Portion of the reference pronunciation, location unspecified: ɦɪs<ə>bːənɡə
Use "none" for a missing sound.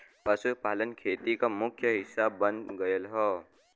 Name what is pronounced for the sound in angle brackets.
a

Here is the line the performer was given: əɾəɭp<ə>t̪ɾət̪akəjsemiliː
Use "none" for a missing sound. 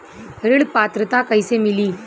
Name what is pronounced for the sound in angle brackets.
a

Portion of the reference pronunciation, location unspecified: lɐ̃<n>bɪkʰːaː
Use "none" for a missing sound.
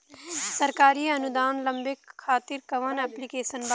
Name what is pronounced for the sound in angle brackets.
m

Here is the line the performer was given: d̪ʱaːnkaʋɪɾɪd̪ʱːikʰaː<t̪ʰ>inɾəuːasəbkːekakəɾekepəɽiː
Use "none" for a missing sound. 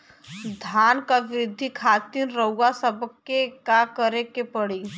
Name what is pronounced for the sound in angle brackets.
t̪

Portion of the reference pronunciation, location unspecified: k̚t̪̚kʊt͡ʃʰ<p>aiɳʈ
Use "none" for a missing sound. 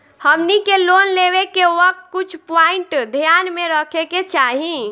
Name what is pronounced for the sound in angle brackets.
p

